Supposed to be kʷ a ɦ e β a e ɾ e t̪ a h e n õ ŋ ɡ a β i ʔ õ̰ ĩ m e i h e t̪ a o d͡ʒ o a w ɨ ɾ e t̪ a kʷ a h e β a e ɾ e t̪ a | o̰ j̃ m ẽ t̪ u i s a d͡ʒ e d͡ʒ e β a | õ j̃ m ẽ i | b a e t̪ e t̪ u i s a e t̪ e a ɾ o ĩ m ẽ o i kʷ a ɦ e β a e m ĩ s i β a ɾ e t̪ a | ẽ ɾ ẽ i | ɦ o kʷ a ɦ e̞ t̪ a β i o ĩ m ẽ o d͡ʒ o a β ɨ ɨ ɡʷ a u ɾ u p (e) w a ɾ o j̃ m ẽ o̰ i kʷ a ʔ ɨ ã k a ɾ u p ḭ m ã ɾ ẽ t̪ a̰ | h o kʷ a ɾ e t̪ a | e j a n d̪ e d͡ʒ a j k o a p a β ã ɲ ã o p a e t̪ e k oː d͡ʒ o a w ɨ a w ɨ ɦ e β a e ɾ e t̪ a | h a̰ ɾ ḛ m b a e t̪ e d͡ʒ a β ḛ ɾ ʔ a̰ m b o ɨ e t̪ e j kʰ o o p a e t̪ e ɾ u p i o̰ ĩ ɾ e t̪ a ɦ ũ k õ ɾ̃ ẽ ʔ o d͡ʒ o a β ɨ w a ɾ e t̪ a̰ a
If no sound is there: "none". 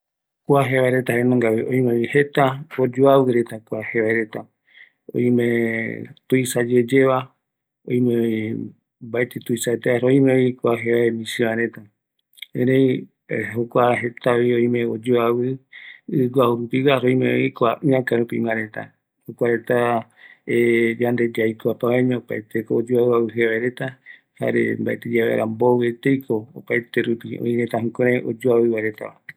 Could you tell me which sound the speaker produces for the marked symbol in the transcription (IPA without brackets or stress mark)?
i